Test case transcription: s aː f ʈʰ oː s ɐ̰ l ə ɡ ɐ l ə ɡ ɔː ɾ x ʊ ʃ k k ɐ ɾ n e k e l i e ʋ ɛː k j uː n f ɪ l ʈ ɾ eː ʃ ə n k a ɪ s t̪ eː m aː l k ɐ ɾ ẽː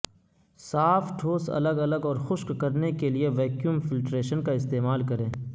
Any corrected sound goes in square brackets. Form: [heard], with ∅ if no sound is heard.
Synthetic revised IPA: s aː f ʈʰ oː s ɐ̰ l ə ɡ ɐ l ə ɡ ɔː ɾ x ʊ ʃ k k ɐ ɾ n e k e l i e ʋ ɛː k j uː [m] f ɪ l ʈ ɾ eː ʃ ə n k a ɪ s t̪ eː m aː l k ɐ ɾ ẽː